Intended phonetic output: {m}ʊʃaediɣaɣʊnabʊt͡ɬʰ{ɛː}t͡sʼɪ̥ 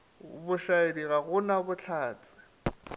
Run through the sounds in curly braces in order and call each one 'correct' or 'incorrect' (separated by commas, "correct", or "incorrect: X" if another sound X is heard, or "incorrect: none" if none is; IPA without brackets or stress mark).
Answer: incorrect: b, incorrect: aː